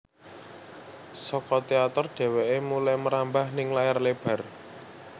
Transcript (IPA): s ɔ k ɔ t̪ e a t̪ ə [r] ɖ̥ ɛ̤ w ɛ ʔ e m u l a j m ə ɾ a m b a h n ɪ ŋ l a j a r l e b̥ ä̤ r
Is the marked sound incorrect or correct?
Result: correct